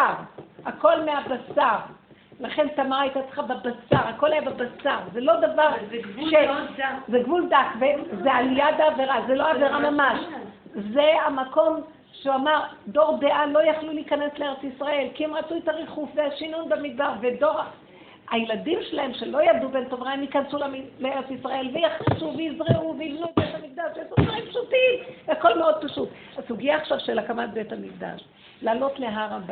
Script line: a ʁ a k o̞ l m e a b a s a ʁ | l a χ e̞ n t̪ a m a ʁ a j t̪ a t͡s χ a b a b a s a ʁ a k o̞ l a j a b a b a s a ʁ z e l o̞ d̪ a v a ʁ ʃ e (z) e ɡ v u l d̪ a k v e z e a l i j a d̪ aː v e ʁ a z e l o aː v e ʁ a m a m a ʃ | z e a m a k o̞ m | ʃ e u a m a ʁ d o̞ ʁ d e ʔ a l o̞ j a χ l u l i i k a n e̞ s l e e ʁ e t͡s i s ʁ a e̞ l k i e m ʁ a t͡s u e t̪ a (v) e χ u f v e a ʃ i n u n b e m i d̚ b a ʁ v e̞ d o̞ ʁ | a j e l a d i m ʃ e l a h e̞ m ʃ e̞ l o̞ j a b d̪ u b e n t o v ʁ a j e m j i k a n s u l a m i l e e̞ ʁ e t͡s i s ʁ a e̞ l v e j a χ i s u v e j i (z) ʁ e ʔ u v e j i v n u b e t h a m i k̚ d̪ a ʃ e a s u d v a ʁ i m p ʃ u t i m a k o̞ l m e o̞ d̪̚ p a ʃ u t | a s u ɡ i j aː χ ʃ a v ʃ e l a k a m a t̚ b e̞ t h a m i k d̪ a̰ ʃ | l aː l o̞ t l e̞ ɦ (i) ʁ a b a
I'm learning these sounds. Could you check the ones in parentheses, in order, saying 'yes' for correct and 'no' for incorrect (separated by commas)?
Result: yes, no, yes, no